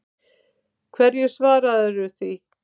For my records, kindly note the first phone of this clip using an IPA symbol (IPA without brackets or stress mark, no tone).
kʰ